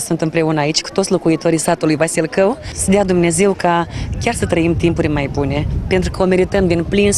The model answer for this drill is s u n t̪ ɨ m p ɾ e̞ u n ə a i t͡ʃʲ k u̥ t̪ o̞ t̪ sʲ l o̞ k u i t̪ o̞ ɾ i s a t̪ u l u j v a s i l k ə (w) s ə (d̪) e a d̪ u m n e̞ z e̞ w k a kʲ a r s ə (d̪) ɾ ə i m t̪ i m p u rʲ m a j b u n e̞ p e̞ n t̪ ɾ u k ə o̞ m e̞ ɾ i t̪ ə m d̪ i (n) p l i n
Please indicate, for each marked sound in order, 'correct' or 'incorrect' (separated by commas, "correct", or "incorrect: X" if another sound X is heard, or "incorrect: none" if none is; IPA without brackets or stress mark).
correct, correct, incorrect: t̪, correct